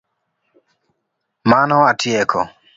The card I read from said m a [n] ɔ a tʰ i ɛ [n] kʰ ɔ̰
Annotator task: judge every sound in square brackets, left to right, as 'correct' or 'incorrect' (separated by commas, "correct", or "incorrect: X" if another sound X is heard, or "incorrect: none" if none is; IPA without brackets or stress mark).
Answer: correct, incorrect: none